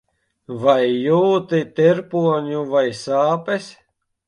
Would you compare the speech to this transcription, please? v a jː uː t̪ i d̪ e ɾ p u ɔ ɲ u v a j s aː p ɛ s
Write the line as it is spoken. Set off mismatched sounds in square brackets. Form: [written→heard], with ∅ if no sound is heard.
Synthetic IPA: v a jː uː t̪ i [d̪→t̪] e ɾ p u ɔ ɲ u v a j s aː p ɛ s